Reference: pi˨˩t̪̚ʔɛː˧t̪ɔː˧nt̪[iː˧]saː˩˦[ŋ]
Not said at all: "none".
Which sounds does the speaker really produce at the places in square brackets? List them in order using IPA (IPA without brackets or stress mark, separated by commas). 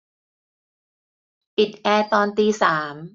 iː˧, m